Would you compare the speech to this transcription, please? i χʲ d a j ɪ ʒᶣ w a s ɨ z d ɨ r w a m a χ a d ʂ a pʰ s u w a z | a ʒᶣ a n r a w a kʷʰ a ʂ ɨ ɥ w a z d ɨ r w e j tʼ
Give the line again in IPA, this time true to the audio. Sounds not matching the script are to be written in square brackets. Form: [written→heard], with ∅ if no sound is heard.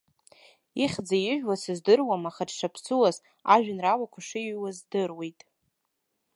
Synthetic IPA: i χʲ [d→d͡z] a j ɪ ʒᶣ w a s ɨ z d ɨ r w a m a χ a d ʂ a pʰ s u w a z | a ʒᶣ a n r a w a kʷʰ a ʂ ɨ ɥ w a z d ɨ r w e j tʼ